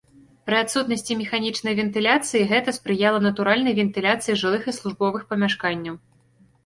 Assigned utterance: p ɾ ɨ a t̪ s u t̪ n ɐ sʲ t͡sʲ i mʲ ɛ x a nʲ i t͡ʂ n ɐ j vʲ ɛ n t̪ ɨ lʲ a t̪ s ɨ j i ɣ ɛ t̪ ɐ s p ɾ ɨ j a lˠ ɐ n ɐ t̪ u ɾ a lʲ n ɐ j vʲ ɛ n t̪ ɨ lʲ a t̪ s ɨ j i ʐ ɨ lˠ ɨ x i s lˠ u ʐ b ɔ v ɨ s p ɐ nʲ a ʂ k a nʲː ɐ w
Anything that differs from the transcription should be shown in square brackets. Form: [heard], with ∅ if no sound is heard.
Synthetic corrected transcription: p ɾ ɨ a t̪ s u t̪ n ɐ sʲ t͡sʲ i mʲ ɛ x a nʲ i t͡ʂ n ɐ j vʲ ɛ n t̪ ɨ lʲ a t̪ s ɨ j i ɣ ɛ t̪ ɐ s p ɾ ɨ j a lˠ ɐ n ɐ t̪ u ɾ a lʲ n ɐ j vʲ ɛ n t̪ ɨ lʲ a t̪ s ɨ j i ʐ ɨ lˠ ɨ x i s lˠ u ʐ b ɔ v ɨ [x] p ɐ [mʲ] a ʂ k a nʲː ɐ w

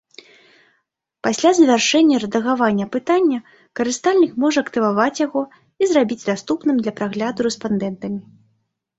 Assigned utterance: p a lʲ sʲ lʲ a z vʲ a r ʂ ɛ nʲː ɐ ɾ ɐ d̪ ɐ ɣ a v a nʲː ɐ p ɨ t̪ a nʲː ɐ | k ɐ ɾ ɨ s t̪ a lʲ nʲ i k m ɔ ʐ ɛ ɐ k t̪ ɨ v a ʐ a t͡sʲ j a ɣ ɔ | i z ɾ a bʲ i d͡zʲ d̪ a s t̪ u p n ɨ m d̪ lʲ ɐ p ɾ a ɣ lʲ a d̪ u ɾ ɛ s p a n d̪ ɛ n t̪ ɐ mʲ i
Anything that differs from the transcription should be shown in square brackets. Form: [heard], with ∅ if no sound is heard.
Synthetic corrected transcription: p a [∅] sʲ lʲ a z vʲ a r ʂ ɛ nʲː ɐ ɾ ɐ d̪ ɐ ɣ a v a nʲː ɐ p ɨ t̪ a nʲː ɐ | k ɐ ɾ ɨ s t̪ a lʲ nʲ i k m ɔ ʐ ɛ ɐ k t̪ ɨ v a [v] a t͡sʲ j a ɣ ɔ | i z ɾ a bʲ i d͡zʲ d̪ a s t̪ u p n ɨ m d̪ lʲ ɐ p ɾ a ɣ lʲ a d̪ u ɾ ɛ s p a n d̪ ɛ n t̪ ɐ mʲ i

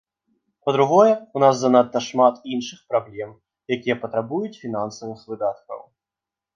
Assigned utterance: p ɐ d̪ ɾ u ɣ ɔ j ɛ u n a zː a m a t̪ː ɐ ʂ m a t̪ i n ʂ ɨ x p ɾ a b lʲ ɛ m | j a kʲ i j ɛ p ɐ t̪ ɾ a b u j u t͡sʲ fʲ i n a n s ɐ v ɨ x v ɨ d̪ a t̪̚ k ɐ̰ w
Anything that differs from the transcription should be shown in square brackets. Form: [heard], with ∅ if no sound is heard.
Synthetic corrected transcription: p ɐ d̪ ɾ u ɣ ɔ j ɛ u n a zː a [n] a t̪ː ɐ ʂ m a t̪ i n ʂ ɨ x p ɾ a b lʲ ɛ m | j a kʲ i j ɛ p ɐ t̪ ɾ a b u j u t͡sʲ fʲ i n a n s ɐ v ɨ x v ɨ d̪ a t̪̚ k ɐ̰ w

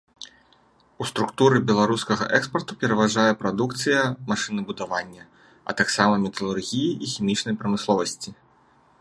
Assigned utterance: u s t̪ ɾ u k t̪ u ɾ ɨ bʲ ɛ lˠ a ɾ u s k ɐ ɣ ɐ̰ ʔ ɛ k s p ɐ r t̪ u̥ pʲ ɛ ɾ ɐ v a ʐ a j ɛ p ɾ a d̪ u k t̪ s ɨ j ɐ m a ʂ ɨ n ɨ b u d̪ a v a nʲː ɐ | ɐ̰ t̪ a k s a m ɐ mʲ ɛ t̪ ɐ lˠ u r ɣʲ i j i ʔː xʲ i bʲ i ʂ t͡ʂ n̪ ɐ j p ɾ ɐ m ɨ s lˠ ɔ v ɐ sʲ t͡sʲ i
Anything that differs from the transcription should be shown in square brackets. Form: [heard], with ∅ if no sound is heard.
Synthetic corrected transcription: u s t̪ ɾ u k t̪ u ɾ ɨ bʲ ɛ lˠ a ɾ u s k ɐ ɣ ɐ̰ ʔ ɛ k s p ɐ r t̪ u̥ pʲ ɛ ɾ ɐ v a ʐ a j ɛ p ɾ a d̪ u k t̪ s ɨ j ɐ m a ʂ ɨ n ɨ b u d̪ a v a nʲː ɐ | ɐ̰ t̪ a k s a m ɐ mʲ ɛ t̪ ɐ lˠ u r ɣʲ i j i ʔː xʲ i [mʲ] i [∅] t͡ʂ n̪ ɐ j p ɾ ɐ m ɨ s lˠ ɔ v ɐ sʲ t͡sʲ i

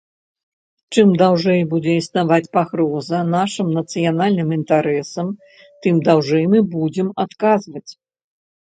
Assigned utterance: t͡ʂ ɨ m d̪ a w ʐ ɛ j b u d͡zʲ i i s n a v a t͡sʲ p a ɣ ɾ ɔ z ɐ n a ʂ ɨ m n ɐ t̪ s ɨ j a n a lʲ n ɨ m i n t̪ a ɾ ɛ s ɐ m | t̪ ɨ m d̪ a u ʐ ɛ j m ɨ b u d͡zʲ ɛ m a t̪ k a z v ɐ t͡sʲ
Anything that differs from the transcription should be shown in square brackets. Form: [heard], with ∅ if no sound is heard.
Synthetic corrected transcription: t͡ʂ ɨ m d̪ a w ʐ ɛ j b u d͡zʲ [ɛ] i s n a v a t͡sʲ p a ɣ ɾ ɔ z ɐ n a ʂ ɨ m n ɐ t̪ s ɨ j a n a lʲ n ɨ m i n t̪ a ɾ ɛ s ɐ m | t̪ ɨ m d̪ a [w] ʐ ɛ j m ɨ b u d͡zʲ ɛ m a t̪ k a z v ɐ t͡sʲ

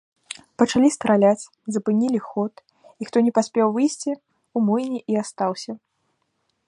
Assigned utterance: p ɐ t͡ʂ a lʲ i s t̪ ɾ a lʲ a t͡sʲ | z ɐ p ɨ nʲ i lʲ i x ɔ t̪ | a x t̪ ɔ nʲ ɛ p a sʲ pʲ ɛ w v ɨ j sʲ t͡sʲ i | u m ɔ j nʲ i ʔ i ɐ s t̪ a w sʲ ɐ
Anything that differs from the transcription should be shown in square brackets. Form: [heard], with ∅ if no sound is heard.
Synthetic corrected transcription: p ɐ t͡ʂ a lʲ i s t̪ ɾ a lʲ a t͡sʲ | z ɐ p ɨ nʲ i lʲ i x ɔ t̪ | [i] x t̪ ɔ nʲ ɛ p a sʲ pʲ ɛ w v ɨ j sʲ t͡sʲ i | u m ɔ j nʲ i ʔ i [a] s t̪ a w sʲ ɐ

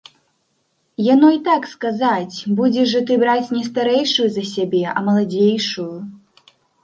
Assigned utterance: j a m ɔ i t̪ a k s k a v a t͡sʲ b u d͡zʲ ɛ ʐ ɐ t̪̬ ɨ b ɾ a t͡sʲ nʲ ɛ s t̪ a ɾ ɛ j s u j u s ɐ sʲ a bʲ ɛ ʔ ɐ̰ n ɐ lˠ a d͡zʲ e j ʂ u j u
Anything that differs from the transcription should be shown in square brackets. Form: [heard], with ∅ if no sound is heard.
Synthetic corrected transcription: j a [n] ɔ i t̪ a k s k a [z] a t͡sʲ b u d͡zʲ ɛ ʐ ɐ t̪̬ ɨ b ɾ a t͡sʲ nʲ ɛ s t̪ a ɾ ɛ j [ʂ] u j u [z] ɐ sʲ a bʲ ɛ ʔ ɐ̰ [m] ɐ lˠ a d͡zʲ e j ʂ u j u

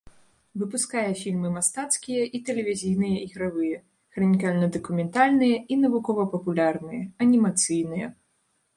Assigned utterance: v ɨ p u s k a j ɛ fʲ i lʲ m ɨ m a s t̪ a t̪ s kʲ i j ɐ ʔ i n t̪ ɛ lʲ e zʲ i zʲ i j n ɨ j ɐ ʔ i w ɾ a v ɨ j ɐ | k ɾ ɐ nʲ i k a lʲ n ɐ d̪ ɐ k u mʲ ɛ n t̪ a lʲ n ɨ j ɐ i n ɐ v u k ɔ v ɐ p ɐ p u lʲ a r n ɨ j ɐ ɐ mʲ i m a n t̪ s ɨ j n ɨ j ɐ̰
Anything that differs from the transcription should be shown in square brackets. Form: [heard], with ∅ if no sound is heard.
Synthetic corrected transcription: v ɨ p u s k a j ɛ fʲ i lʲ m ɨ m a s t̪ a t̪ s kʲ i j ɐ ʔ i [∅] t̪ ɛ lʲ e [vʲ] i zʲ i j n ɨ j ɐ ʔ i [ɣ] ɾ a v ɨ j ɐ | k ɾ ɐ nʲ i k a lʲ n ɐ d̪ ɐ k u mʲ ɛ n t̪ a lʲ n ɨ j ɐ i n ɐ v u k ɔ v ɐ p ɐ p u lʲ a r n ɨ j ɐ ɐ [nʲ] i m a [∅] t̪ s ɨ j n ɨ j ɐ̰

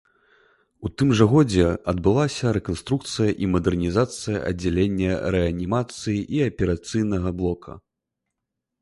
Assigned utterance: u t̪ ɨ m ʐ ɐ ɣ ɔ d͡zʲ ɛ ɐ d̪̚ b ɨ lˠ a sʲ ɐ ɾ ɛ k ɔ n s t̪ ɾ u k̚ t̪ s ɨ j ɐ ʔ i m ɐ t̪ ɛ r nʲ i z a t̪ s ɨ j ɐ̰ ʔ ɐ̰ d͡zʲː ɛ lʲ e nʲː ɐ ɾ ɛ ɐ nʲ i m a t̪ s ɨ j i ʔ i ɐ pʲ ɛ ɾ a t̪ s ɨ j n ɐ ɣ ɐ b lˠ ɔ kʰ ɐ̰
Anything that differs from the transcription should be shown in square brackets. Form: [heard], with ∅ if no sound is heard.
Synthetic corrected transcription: u t̪ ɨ m ʐ ɐ ɣ ɔ d͡zʲ ɛ ɐ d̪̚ b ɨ lˠ a sʲ ɐ ɾ ɛ k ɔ n s t̪ ɾ u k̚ t̪ s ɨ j ɐ ʔ i m ɐ [d̪] ɛ r nʲ i z a t̪ s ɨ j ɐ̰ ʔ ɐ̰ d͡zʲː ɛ lʲ e nʲː ɐ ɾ ɛ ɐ nʲ i m a t̪ s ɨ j i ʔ i ɐ pʲ ɛ ɾ a t̪ s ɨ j n ɐ ɣ ɐ b lˠ ɔ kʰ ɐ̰

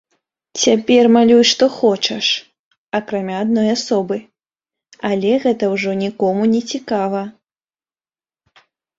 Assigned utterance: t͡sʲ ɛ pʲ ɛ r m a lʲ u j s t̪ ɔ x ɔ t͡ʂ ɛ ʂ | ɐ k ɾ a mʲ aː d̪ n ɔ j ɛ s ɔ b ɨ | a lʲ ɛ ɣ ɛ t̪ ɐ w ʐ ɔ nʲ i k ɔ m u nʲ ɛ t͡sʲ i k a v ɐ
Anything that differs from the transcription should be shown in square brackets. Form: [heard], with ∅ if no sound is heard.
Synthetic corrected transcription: t͡sʲ [a] pʲ ɛ r m a lʲ u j [ʂ] t̪ ɔ x ɔ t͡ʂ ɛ ʂ | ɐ k ɾ a mʲ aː d̪ n ɔ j [a] s ɔ b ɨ | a lʲ ɛ ɣ ɛ t̪ ɐ w ʐ ɔ nʲ i k ɔ m u nʲ ɛ t͡sʲ i k a v ɐ

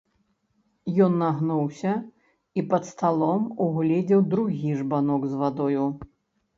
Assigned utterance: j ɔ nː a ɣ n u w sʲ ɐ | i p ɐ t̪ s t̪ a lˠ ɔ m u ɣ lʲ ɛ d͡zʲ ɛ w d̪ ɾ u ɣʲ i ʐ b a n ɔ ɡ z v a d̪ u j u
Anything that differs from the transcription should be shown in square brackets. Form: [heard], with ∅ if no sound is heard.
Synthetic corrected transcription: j ɔ nː a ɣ n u w sʲ ɐ | i p ɐ t̪ s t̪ a lˠ ɔ m u ɣ lʲ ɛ d͡zʲ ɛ w d̪ ɾ u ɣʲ i ʐ b a n ɔ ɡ z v a d̪ [ɔ] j u

